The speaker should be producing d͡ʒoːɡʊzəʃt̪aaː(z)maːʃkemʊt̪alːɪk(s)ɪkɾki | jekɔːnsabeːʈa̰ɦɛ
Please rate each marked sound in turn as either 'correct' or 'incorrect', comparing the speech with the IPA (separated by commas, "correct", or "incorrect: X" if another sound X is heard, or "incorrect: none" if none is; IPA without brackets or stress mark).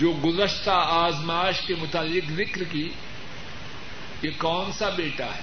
correct, incorrect: z